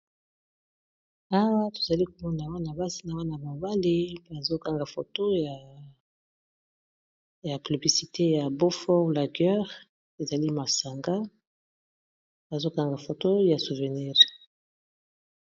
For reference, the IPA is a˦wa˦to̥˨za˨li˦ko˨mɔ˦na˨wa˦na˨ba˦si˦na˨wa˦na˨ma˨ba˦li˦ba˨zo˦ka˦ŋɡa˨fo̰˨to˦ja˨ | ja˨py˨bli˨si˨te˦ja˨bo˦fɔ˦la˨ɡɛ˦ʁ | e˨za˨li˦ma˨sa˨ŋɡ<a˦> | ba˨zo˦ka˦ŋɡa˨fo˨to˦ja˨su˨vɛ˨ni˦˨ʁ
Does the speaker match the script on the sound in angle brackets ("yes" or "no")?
yes